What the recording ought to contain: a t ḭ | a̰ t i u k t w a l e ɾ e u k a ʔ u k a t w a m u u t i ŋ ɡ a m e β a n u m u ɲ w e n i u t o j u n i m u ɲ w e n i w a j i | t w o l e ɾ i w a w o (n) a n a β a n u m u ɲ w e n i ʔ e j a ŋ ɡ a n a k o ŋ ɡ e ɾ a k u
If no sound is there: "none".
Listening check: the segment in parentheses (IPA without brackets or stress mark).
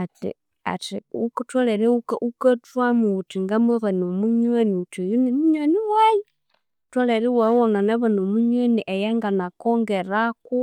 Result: n